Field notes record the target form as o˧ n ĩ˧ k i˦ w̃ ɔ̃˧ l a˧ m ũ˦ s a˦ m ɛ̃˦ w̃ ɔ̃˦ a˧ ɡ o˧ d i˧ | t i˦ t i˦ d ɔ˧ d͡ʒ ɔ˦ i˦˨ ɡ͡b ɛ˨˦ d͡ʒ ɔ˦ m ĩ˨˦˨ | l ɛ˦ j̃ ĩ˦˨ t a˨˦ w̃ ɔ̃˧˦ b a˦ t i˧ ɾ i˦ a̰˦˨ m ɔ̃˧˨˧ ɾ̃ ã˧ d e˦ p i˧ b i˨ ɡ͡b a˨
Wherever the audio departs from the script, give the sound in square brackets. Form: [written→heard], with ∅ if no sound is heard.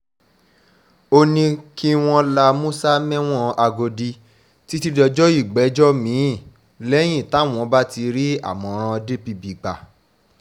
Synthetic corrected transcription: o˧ n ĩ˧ k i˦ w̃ ɔ̃˧ l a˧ m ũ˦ s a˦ m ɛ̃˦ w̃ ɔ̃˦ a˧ ɡ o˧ d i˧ | t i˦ t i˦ d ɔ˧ d͡ʒ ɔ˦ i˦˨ ɡ͡b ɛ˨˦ d͡ʒ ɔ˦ m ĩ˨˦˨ | l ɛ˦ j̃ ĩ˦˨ t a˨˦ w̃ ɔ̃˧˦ b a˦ t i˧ ɾ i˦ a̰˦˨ m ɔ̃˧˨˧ ɾ̃ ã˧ d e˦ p i˧ b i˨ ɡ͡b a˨